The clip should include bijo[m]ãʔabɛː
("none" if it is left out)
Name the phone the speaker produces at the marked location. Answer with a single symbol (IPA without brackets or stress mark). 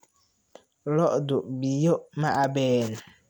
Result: m